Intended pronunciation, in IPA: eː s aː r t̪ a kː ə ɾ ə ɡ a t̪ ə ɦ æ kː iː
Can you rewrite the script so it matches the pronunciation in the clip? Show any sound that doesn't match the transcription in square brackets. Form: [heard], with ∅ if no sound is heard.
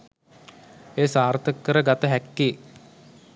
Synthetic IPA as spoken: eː s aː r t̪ [ə] kː ə ɾ ə ɡ a t̪ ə ɦ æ kː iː

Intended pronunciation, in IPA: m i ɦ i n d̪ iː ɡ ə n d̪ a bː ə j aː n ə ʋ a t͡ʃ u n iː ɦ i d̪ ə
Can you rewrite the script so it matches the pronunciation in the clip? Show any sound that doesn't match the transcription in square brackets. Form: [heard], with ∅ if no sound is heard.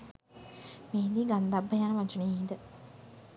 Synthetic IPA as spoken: m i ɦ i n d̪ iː ɡ [a] n d̪ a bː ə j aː n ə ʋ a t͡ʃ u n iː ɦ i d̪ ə

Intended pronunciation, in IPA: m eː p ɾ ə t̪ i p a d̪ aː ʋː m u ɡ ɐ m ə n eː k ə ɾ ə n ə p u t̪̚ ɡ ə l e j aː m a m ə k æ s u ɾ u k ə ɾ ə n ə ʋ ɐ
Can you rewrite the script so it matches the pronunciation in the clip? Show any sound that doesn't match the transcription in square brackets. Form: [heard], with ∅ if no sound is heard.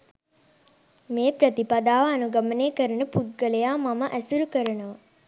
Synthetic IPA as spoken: m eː p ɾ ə t̪ i p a d̪ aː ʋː [n] u ɡ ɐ m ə n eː k ə ɾ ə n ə p u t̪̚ ɡ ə l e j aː m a m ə [ʔ] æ s u ɾ u k ə ɾ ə n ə ʋ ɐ

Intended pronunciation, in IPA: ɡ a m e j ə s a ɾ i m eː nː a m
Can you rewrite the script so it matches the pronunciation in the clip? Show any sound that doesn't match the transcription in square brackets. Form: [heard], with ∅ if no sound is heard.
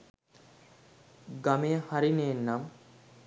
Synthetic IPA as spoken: ɡ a m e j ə [h] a ɾ i [n] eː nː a m

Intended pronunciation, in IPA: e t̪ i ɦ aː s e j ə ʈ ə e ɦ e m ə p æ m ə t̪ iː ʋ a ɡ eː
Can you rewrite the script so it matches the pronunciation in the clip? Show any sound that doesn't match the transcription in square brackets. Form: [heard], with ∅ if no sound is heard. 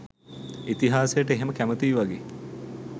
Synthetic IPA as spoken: [i] t̪ i ɦ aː s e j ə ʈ ə e ɦ e m ə [k] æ m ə t̪ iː ʋ a ɡ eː

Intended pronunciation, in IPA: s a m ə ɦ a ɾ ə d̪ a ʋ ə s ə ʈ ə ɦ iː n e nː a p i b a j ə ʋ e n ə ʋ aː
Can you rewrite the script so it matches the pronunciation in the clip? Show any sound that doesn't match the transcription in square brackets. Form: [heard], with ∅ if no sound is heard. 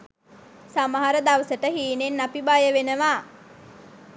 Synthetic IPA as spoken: s a m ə ɦ a ɾ ə d̪ a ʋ ə s ə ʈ ə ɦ iː n e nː a p i b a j ə ʋ e n ə ʋ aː

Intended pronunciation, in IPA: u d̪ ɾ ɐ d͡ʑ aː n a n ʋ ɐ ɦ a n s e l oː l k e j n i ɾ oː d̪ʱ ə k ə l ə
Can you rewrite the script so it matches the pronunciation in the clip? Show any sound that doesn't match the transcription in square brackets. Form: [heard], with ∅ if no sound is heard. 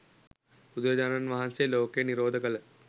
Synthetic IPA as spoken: u d̪ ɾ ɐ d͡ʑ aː n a n ʋ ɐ ɦ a n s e l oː [∅] k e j n i ɾ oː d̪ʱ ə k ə l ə

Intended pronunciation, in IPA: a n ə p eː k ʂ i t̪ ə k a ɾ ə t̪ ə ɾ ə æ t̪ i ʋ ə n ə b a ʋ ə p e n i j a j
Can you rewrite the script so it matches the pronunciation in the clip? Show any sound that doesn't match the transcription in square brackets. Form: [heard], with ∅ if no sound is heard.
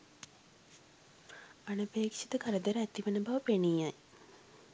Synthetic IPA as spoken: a n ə p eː k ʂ i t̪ ə k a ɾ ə [d̪] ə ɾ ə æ t̪ i ʋ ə n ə b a ʋ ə p e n i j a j

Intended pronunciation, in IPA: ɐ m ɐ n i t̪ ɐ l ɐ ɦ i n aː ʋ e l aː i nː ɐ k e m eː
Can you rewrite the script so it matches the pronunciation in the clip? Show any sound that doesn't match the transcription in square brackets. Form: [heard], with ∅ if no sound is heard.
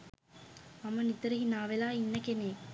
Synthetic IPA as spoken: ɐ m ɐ n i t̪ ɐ [ɾ] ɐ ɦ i n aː ʋ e l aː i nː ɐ k e [n] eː

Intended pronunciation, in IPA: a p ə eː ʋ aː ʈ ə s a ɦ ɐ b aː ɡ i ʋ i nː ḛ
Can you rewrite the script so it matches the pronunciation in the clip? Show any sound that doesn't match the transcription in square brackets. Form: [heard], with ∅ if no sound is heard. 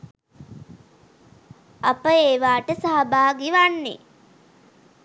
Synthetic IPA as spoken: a p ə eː ʋ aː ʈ ə s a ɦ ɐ b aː ɡ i ʋ [a] nː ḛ

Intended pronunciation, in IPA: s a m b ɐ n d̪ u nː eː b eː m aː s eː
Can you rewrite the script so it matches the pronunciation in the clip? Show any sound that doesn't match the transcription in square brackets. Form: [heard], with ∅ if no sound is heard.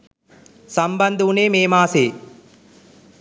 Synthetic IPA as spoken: s [ɐ] m b ɐ n d̪ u [n] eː [m] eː m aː s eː

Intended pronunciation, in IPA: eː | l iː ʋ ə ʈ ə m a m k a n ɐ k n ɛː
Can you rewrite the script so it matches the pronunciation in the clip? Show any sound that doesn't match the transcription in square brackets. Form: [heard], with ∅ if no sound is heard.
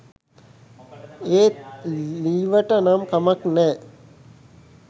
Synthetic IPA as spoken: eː | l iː ʋ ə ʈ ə [n] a m k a [m] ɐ k n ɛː

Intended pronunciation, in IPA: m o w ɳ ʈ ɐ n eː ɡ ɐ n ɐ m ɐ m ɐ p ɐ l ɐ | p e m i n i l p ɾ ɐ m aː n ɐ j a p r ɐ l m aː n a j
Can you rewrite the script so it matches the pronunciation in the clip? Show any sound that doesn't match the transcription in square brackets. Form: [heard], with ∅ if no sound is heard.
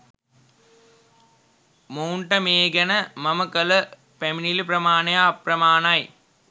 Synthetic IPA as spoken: m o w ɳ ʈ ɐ [m] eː ɡ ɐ n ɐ m ɐ m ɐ [k] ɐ l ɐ | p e m i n i l p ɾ ɐ m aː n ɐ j a p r ɐ [∅] m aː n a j

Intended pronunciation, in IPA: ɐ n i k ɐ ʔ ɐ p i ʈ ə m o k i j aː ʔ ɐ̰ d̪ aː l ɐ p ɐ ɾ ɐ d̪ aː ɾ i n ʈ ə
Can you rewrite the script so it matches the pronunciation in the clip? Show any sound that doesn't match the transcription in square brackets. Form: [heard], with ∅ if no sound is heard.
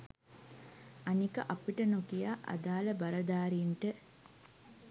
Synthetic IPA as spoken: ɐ n i k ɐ ʔ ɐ p i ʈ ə [n] o k i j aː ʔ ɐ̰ d̪ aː l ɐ [b] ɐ ɾ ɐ d̪ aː ɾ i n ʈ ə

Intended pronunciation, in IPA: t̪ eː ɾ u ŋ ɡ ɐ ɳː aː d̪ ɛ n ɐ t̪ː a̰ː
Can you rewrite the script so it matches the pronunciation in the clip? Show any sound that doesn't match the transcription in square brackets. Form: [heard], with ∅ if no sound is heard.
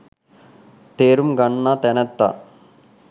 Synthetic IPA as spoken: t̪ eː ɾ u [m] ɡ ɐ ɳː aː [t̪] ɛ n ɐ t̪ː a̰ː

